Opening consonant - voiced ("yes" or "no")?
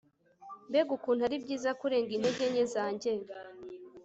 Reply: yes